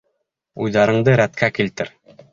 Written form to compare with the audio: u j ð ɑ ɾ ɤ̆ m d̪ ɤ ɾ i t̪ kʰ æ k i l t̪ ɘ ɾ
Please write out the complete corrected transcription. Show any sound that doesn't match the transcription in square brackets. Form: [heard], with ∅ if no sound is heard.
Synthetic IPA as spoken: u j ð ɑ ɾ ɤ̆ [ɴ] d̪ ɤ ɾ [æ] t̪ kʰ æ k i l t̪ ɘ ɾ